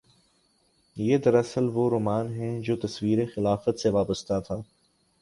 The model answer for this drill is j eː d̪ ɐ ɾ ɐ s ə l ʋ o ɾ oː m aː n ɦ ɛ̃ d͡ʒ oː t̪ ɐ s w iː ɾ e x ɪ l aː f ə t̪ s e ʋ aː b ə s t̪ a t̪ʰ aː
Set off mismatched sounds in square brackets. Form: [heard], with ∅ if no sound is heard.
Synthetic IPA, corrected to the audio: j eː d̪ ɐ ɾ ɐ s ə l ʋ o ɾ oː m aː n ɦ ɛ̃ d͡ʒ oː t̪ ɐ s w iː ɾ e x ɪ l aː f ə t̪ s e ʋ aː b ə s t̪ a t̪ʰ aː